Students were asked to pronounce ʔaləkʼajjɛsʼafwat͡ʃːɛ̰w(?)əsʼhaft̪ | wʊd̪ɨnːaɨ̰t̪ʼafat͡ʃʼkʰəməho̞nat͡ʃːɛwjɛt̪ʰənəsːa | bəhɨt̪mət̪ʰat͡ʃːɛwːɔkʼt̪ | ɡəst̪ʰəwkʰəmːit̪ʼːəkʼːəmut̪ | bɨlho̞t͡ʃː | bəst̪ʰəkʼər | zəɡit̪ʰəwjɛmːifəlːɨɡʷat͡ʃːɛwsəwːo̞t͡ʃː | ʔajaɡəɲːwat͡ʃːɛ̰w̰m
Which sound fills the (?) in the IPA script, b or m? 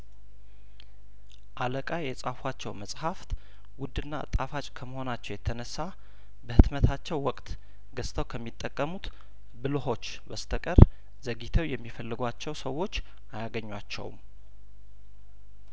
m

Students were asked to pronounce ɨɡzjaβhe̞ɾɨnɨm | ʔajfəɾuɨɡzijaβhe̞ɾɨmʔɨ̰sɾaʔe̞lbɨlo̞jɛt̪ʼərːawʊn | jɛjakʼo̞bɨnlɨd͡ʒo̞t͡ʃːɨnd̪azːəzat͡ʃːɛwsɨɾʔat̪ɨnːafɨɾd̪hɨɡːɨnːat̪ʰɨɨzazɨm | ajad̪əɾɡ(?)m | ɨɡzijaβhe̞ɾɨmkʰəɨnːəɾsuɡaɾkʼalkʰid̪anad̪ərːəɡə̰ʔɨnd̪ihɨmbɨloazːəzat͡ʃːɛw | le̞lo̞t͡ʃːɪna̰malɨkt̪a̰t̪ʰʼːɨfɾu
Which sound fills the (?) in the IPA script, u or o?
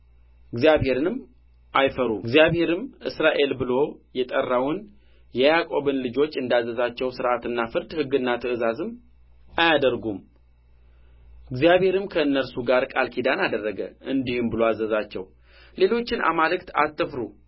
u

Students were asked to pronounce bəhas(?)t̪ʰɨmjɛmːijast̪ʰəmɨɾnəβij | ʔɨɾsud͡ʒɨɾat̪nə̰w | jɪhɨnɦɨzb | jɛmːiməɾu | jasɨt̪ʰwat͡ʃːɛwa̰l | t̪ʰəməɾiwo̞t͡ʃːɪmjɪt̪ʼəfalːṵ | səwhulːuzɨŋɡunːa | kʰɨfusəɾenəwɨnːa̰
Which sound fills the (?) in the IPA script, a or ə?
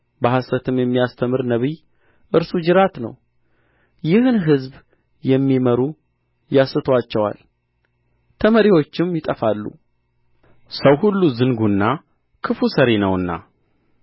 ə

